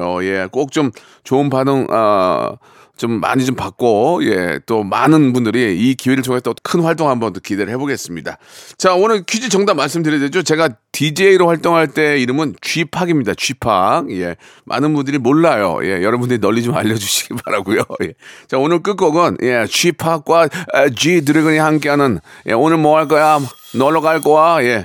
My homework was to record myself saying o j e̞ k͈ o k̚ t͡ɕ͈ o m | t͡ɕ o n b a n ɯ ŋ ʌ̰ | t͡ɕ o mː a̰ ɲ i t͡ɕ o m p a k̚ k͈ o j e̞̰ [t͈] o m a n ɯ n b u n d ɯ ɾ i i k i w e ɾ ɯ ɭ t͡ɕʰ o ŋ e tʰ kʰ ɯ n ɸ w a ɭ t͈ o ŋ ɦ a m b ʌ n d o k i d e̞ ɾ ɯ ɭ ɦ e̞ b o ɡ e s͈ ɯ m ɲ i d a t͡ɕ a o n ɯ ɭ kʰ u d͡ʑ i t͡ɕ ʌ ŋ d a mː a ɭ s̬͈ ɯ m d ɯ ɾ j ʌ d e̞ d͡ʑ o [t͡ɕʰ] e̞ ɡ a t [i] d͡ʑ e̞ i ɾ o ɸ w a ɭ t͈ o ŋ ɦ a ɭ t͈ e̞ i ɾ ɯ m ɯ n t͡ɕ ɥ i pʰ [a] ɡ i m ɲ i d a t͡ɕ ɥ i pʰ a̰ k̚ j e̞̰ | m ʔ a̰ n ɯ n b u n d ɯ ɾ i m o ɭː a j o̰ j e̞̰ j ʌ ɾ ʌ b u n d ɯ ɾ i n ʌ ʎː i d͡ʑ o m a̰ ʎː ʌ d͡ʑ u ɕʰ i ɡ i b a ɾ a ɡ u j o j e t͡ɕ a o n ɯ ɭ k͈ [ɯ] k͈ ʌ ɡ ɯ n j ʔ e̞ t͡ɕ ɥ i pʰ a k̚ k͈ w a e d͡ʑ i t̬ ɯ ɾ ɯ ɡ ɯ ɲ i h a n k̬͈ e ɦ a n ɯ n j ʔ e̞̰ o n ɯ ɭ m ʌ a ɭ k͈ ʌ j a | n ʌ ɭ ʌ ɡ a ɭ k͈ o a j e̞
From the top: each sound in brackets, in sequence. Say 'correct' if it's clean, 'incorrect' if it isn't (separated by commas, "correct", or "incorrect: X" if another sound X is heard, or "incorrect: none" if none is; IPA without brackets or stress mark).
correct, incorrect: t͡ɕ, correct, correct, correct